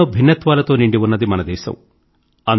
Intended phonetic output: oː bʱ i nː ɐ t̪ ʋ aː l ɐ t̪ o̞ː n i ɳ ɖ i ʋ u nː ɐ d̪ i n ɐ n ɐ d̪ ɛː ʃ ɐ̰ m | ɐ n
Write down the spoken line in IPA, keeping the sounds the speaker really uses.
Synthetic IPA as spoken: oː bʱ i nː ɐ t̪ ʋ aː l ɐ t̪ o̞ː n i ɳ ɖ i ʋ u nː ɐ d̪ i m ɐ n ɐ d̪ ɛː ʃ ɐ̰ m | ɐ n